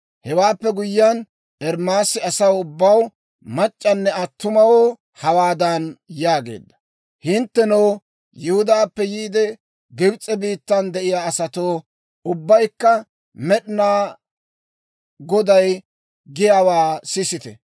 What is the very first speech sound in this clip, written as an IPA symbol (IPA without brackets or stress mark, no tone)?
h